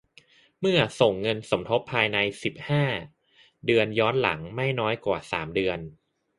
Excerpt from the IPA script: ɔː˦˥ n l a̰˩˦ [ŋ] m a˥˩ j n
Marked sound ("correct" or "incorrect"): correct